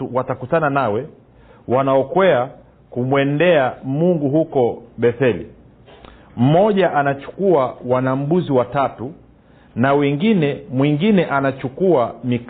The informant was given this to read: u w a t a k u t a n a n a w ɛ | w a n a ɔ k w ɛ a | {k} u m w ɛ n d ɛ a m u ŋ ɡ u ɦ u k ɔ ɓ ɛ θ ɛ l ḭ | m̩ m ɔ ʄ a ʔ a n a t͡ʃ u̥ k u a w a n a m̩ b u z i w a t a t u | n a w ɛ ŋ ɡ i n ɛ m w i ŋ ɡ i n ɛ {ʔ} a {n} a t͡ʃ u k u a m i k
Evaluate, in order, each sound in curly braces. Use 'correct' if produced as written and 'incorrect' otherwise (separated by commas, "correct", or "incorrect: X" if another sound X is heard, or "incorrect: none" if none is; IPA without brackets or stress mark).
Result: correct, correct, correct